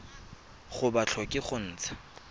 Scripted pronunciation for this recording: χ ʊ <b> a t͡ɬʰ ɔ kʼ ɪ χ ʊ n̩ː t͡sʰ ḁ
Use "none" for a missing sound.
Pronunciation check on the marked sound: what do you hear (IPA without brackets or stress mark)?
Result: b